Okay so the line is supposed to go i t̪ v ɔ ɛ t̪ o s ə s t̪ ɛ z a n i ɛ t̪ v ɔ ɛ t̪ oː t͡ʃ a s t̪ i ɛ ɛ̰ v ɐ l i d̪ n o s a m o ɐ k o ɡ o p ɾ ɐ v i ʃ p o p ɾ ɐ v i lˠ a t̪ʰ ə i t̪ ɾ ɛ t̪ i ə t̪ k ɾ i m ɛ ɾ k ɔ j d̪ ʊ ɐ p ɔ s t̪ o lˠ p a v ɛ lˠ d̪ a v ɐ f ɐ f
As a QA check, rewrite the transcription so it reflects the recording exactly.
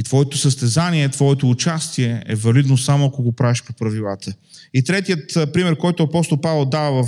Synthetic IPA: i t̪ v ɔ ɛ t̪ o s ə s t̪ ɛ z a n i ɛ t̪ v ɔ ɛ t̪ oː t͡ʃ a s t̪ i ɛ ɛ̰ v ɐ l i d̪ n o s a m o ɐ k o ɡ o p ɾ a v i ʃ p o p ɾ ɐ v i lˠ a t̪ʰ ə i t̪ ɾ ɛ t̪ i ə t̪ p ɾ i m ɛ ɾ k ɔ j t̪ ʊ ɐ p ɔ s t̪ o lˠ p a v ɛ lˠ d̪ a v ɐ v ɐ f